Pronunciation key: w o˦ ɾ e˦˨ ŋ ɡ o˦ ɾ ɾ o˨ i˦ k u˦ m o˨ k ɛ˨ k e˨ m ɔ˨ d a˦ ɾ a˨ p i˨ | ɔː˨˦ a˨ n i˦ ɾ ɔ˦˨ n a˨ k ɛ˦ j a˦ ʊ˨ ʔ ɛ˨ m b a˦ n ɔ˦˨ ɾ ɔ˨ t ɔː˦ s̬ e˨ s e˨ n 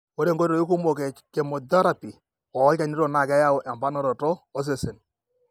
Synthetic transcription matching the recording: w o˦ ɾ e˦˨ ŋ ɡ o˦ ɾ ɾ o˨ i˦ k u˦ m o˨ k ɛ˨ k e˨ m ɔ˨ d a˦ ɾ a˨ p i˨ | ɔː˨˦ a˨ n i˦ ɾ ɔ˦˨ n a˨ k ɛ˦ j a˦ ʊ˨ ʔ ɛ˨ m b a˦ n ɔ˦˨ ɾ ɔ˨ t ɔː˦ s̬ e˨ s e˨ n